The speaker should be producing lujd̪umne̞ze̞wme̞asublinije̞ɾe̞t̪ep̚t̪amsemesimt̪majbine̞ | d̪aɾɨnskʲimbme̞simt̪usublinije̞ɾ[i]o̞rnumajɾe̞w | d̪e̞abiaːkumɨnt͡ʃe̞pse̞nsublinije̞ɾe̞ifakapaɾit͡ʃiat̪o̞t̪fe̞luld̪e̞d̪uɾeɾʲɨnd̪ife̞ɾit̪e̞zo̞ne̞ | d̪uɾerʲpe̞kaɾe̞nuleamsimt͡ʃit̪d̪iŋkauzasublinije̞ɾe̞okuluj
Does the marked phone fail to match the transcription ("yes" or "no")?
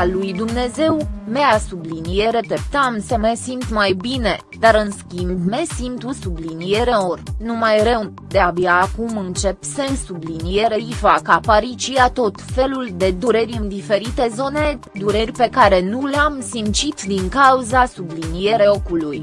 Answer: yes